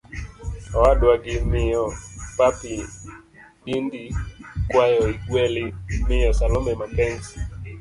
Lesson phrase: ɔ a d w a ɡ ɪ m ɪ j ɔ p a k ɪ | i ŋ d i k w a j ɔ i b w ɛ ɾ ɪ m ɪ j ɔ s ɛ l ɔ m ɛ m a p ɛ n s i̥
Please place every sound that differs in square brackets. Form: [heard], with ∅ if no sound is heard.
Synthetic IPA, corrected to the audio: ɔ a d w a ɡ ɪ m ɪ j ɔ p a [p] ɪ | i [n] d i k w a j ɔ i [ɡ] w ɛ [l] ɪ m ɪ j ɔ s [a] l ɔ m ɛ m a p ɛ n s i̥